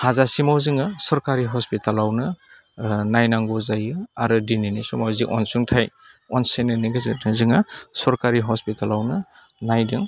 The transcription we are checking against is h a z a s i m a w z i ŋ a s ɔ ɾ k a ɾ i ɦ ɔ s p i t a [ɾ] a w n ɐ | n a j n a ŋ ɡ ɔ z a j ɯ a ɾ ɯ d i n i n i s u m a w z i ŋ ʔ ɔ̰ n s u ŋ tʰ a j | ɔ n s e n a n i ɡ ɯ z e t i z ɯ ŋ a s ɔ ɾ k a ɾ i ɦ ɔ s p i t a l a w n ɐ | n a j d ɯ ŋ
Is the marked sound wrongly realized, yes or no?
yes